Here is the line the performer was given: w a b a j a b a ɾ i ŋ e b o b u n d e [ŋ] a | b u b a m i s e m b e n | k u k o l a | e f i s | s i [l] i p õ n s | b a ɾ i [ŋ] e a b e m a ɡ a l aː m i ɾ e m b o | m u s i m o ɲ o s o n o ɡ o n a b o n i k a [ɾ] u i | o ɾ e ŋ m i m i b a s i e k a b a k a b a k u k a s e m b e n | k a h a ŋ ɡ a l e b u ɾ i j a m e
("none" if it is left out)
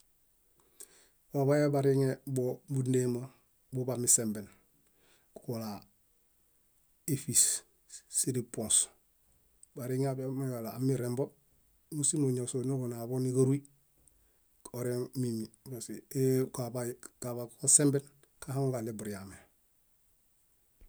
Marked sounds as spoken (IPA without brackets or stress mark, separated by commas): m, ɾ, ŋ, ɾ